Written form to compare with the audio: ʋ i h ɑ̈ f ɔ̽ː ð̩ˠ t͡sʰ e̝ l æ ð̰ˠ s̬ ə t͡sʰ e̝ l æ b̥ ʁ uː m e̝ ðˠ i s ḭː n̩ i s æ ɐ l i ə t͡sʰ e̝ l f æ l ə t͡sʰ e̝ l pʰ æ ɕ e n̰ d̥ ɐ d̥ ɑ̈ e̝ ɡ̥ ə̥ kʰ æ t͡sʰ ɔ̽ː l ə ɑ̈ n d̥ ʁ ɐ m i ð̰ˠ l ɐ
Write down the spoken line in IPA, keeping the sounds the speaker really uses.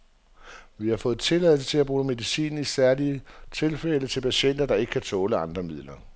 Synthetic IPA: ʋ i h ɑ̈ f ɔ̽ː ð̩ˠ t͡sʰ e̝ l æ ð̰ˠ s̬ ə t͡sʰ e̝ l æ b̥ ʁ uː m e̝ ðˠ i s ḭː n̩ i s æ ɐ l i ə t͡sʰ e̝ l f e l ə t͡sʰ e̝ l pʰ æ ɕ e n̰ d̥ ɐ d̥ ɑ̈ e̝ ɡ̥ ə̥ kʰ æ t͡sʰ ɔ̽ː l ə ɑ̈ n d̥ ʁ ɐ m i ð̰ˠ l ɐ